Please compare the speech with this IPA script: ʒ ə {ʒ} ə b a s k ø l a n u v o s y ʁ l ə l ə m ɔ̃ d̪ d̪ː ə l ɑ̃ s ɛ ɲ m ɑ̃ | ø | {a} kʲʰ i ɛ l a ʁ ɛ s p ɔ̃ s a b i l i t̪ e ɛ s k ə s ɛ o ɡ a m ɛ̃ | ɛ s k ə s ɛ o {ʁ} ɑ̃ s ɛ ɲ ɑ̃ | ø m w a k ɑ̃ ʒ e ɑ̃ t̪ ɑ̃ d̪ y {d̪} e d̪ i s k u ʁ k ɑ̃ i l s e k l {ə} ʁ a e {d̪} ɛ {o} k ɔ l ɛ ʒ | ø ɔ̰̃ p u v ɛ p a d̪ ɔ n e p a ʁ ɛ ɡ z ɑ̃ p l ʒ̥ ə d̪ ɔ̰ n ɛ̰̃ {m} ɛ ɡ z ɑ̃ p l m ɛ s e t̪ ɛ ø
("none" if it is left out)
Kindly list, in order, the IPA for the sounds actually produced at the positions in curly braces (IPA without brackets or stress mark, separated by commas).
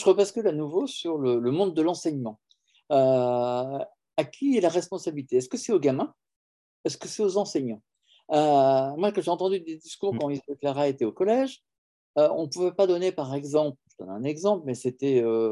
ʁ, a, z, d̪, a, t̪, o, n